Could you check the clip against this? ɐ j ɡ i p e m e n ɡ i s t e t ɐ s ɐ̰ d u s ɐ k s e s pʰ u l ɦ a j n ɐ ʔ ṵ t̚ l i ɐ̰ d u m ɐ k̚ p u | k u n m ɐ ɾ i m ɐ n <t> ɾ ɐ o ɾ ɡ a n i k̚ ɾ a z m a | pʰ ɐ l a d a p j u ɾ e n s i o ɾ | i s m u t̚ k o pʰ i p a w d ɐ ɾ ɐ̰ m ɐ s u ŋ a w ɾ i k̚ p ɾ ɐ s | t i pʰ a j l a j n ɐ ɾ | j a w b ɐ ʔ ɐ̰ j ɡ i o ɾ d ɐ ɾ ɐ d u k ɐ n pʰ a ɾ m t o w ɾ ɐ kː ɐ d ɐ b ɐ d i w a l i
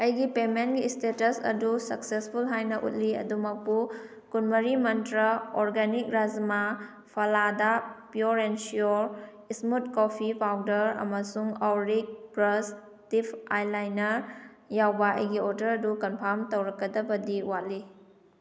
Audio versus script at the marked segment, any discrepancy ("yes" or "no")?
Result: no